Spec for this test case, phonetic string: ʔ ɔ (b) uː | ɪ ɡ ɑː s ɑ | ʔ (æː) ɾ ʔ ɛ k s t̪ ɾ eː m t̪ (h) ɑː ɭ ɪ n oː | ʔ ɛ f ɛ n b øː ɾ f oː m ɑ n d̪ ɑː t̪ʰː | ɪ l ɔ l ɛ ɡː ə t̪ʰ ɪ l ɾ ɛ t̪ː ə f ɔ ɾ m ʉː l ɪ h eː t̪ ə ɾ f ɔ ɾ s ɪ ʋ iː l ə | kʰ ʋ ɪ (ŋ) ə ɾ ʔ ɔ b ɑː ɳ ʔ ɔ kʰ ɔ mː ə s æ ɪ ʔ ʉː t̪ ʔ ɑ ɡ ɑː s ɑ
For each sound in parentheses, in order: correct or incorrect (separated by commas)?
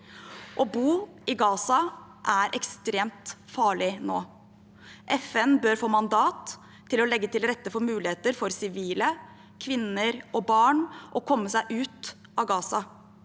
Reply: correct, incorrect, incorrect, incorrect